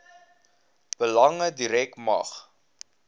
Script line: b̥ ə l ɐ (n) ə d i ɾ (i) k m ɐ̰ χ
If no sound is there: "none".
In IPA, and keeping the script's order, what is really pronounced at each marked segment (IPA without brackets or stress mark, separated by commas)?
ŋ, ɛ